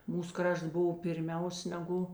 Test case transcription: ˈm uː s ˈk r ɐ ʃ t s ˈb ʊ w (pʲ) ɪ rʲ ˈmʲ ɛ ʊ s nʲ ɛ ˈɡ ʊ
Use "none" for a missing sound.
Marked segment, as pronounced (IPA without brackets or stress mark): pʲ